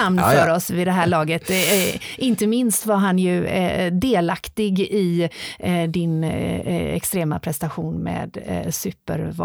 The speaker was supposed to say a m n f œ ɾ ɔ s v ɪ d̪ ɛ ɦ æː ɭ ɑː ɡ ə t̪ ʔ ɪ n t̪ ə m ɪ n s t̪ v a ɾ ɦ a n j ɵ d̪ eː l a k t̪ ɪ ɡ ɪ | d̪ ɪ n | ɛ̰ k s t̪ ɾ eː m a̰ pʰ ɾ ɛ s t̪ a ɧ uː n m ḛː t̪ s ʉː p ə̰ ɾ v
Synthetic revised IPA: a m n f œ ɾ ɔ s v ɪ d̪ ɛ ɦ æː ɭ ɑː ɡ ə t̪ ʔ ɪ n t̪ ə m ɪ n s t̪ v a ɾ ɦ a n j ɵ d̪ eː l a k t̪ ɪ ɡ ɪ | d̪ ɪ n | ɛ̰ k s t̪ ɾ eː m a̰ pʰ ɾ ɛ s t̪ a ɧ uː n m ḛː d̪ s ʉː p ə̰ ɾ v